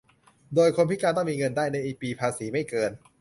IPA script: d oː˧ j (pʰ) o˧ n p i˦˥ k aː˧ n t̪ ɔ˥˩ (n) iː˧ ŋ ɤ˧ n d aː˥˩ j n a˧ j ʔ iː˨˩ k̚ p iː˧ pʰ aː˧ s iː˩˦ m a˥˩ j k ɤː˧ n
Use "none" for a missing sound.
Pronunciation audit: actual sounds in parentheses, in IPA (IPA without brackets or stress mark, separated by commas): kʰ, m